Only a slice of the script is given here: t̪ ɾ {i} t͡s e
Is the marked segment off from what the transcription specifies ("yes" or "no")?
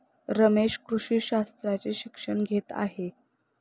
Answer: yes